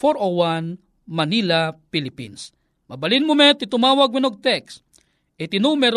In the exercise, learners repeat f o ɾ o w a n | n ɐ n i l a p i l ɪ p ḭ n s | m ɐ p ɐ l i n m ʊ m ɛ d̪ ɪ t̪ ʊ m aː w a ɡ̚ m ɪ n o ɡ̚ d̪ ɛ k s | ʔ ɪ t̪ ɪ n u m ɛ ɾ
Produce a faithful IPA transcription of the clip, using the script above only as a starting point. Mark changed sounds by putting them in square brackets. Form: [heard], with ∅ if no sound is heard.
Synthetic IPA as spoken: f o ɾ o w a n | [m] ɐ n i l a p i l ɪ p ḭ n s | m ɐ [b] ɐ l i n m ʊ m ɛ [t̪] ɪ t̪ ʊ m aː w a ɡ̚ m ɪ n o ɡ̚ [t̪] ɛ k s | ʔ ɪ t̪ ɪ n u m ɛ ɾ